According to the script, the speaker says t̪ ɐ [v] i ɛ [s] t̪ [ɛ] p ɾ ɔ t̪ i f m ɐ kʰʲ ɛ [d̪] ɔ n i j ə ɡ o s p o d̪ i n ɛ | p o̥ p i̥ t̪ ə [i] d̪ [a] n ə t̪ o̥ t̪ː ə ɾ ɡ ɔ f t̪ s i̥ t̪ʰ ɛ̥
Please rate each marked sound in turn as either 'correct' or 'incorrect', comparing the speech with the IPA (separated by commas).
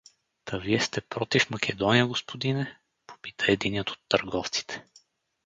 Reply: correct, correct, correct, correct, incorrect, incorrect